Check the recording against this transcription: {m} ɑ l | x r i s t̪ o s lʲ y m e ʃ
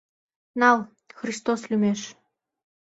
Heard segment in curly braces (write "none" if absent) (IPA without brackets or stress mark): n